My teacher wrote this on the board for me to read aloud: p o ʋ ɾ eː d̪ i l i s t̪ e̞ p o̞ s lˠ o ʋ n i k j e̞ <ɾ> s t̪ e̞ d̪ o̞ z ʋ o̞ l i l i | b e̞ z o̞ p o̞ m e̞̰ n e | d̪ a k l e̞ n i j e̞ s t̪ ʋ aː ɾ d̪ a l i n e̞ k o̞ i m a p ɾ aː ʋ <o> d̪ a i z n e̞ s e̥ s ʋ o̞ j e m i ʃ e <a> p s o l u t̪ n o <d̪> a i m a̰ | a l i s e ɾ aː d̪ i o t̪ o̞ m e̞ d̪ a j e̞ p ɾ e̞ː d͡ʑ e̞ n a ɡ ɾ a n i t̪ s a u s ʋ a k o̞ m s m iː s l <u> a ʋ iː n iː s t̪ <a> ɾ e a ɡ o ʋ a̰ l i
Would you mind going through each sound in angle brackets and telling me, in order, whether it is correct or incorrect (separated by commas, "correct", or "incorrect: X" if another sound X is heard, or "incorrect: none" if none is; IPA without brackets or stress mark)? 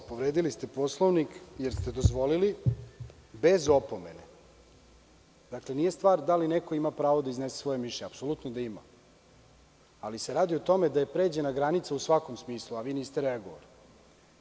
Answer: correct, correct, correct, correct, correct, incorrect: e